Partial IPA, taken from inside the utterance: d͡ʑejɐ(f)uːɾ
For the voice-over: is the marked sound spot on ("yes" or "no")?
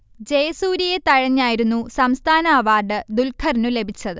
no